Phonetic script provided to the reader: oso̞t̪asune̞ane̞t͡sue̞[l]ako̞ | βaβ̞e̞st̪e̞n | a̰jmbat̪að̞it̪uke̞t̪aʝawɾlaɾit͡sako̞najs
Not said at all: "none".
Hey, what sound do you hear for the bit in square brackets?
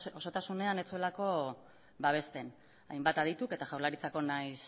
l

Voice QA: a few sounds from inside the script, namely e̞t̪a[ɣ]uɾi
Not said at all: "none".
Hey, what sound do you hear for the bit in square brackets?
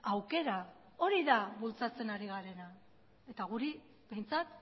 ɣ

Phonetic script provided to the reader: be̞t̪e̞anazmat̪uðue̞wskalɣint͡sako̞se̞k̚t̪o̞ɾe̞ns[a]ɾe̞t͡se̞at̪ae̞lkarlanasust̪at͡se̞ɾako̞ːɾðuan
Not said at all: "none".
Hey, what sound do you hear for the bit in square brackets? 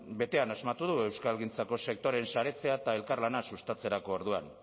a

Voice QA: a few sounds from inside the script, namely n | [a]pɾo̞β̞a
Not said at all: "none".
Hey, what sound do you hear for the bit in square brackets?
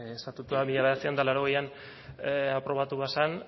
a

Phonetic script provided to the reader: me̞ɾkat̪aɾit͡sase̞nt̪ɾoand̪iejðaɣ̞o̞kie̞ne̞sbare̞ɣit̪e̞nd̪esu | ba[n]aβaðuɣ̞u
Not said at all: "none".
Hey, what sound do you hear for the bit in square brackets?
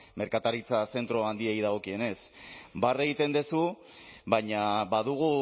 ɲ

